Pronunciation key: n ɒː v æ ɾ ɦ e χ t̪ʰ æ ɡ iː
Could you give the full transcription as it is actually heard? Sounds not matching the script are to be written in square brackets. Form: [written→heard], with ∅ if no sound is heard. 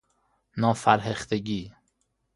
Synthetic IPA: n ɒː [v→f] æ ɾ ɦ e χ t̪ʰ [æ→e] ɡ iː